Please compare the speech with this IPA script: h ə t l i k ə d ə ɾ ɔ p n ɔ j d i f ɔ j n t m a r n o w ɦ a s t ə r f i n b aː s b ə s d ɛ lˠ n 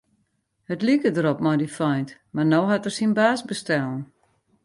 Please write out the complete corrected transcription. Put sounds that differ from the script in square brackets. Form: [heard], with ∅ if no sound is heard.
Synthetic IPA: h ə t l i k ə d ə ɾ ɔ p [m] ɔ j d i f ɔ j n t m a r n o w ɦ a [∅] t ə r [s] i n b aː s b ə s [t] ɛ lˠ n